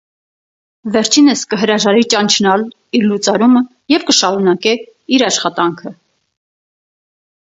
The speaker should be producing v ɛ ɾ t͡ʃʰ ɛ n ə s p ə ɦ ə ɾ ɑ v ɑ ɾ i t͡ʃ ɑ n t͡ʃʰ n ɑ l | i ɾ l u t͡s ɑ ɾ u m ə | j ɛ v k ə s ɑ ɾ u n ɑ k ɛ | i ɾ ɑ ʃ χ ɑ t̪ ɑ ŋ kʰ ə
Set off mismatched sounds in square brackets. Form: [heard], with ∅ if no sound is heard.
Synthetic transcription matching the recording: v ɛ ɾ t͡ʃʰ [i] n ə s [k] ə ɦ ə ɾ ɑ [ʒ] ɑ ɾ i t͡ʃ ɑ n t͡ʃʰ n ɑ l | i ɾ l u t͡s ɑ ɾ u m ə | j ɛ v k ə [ʃ] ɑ ɾ u n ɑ k ɛ | i ɾ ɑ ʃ χ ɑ t̪ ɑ ŋ kʰ ə